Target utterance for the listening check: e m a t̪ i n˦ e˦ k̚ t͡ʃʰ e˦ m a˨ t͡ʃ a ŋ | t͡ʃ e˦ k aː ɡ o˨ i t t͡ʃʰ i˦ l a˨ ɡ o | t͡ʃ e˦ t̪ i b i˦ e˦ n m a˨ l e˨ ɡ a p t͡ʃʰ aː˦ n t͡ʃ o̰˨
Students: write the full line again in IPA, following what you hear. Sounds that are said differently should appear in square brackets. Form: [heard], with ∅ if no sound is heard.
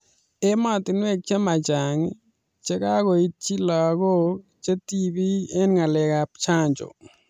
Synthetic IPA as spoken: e m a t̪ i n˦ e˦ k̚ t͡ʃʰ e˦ m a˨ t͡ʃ a ŋ | t͡ʃ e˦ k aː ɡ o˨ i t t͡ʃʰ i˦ l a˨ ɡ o | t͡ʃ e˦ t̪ i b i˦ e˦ n [ŋ] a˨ l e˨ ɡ a p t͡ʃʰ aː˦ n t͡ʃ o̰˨